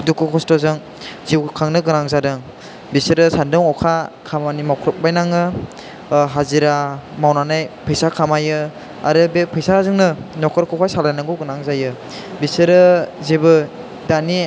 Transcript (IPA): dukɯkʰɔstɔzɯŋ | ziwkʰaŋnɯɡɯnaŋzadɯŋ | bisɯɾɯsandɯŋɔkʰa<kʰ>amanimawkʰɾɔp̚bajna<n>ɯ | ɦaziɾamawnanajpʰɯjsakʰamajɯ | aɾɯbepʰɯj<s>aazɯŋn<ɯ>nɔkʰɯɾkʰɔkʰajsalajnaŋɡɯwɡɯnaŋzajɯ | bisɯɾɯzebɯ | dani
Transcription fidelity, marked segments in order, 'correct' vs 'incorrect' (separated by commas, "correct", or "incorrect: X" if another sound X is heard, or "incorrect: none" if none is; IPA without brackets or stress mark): correct, incorrect: ŋ, correct, correct